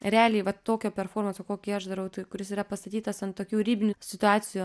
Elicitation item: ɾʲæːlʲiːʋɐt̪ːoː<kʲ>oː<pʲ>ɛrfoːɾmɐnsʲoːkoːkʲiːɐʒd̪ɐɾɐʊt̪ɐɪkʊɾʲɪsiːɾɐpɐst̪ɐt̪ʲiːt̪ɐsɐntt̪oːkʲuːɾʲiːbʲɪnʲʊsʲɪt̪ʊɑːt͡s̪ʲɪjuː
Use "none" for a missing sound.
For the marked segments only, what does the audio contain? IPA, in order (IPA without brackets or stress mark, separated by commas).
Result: kʲ, pʲ